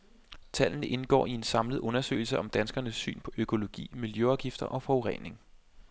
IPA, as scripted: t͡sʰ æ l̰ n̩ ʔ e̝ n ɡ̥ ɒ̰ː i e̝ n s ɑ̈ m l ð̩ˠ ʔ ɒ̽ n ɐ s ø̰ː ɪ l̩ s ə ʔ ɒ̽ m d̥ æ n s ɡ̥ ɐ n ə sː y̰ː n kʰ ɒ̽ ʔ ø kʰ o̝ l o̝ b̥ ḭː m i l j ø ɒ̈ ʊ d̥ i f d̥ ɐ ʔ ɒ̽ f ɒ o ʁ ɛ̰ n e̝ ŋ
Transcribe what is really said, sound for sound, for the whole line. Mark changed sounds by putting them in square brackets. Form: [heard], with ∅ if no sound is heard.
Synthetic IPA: t͡sʰ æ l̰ n̩ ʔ e̝ n ɡ̥ ɒ̰ː i e̝ n s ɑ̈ m l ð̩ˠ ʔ [ɔ̽] n ɐ s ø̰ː ɪ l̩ s ə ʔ ɒ̽ m d̥ æ n s ɡ̥ ɐ n ə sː y̰ː n [pʰ] ɒ̽ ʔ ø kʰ o̝ l o̝ [ɡ̥] ḭː m i l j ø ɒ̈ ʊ [ɡ̥] i f d̥ ɐ ʔ ɒ̽ f ɒ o ʁ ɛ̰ n e̝ ŋ